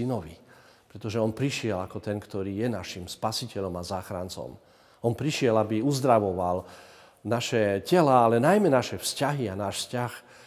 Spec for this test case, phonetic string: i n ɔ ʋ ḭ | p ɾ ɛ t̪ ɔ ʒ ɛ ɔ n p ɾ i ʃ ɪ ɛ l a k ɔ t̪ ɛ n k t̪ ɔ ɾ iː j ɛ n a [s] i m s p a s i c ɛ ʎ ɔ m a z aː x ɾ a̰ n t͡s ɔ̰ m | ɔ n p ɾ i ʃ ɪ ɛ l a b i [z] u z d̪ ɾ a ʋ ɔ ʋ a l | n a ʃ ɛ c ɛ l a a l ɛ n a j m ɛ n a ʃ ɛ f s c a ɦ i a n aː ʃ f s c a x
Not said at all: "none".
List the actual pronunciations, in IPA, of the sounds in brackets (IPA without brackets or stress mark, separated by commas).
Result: ʃ, none